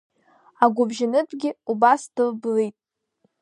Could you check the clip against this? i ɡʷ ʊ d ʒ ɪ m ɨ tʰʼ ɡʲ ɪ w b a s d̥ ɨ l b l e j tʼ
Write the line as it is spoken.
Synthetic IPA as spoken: a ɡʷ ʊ b ʒ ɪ n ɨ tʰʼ ɡʲ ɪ u b a s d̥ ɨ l b l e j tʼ